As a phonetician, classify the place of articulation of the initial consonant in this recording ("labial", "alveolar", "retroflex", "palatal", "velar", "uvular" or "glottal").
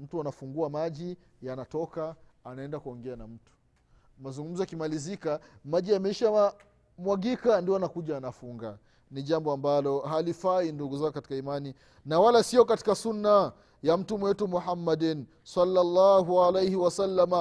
labial